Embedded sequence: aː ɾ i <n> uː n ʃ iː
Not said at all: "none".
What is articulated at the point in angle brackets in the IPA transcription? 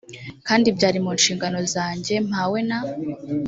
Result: m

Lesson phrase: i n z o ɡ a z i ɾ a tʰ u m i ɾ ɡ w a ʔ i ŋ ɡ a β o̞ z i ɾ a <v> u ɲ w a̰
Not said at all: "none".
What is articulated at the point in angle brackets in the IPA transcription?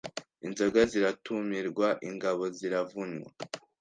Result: v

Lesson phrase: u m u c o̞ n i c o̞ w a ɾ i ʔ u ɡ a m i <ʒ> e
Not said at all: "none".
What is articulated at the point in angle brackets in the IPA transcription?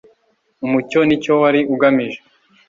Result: ʒ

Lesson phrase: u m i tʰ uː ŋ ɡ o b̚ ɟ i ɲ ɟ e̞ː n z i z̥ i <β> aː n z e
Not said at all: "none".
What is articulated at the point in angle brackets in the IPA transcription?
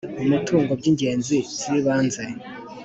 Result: β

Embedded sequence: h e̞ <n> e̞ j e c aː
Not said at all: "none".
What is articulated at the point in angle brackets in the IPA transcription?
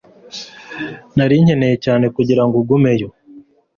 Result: n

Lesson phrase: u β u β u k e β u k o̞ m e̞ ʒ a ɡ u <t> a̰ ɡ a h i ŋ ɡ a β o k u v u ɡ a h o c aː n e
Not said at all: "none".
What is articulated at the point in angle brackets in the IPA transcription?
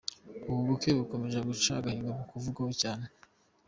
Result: t͡ʃ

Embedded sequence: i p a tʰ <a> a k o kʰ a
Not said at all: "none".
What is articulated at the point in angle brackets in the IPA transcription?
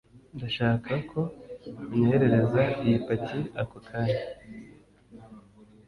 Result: i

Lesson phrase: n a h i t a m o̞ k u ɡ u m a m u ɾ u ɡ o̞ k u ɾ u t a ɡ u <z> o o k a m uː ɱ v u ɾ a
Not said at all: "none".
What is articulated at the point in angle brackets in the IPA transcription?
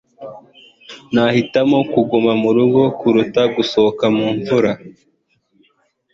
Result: s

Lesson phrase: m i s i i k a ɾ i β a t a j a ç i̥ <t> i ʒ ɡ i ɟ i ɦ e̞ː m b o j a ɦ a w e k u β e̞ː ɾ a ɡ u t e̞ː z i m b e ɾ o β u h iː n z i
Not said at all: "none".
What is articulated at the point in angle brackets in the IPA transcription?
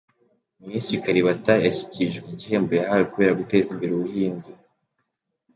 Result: c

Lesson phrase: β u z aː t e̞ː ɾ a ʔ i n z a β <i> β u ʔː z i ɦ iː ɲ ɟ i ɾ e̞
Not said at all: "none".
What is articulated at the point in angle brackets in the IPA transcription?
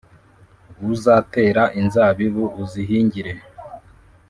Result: i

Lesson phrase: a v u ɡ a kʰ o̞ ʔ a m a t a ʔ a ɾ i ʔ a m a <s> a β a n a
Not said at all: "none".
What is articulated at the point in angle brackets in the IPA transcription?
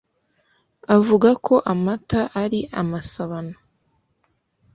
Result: s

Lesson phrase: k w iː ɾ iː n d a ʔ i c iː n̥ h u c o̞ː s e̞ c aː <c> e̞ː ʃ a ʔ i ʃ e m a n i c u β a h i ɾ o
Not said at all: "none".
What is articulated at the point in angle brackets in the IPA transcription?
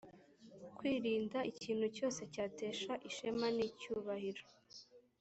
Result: t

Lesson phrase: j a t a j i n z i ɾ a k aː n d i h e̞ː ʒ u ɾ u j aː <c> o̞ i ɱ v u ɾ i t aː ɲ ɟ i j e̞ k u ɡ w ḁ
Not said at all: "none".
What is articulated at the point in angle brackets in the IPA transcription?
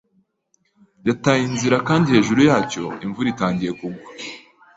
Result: c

